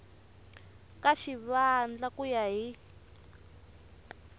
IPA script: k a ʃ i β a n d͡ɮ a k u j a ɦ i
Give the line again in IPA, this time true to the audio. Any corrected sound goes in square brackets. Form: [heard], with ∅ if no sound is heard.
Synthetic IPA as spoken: k a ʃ i β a n d͡ɮ a k u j a ɦ i